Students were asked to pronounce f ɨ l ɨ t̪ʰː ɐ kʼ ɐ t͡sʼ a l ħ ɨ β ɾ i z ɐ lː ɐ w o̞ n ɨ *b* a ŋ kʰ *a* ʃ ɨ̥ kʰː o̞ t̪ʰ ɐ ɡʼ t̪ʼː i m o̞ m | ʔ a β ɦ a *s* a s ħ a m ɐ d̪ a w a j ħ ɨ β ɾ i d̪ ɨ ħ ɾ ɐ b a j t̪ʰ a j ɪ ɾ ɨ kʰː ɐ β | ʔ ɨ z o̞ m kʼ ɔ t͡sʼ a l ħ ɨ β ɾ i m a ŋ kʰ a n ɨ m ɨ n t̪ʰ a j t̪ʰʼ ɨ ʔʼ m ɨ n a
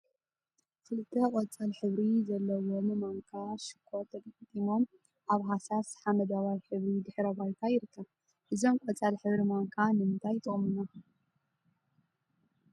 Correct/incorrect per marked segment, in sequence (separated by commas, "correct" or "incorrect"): incorrect, correct, correct